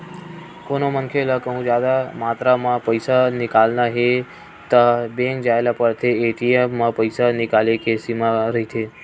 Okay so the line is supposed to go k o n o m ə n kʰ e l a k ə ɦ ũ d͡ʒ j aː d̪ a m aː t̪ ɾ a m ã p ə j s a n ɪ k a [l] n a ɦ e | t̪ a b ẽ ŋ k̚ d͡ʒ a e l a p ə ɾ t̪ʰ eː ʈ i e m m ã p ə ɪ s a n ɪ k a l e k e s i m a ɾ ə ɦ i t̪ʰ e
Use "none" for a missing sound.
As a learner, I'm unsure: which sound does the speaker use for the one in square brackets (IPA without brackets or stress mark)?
l